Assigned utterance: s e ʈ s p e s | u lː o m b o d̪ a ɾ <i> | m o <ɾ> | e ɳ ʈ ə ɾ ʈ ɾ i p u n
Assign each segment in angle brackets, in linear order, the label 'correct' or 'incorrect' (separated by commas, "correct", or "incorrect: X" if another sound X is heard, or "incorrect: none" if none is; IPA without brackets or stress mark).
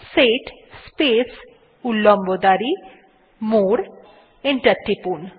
correct, correct